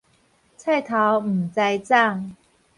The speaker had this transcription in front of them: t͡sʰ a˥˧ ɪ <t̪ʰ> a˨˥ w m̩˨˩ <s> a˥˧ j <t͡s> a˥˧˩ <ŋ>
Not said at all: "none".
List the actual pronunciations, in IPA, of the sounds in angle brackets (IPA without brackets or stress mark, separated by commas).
t̪ʰ, t͡s, t͡s, ŋ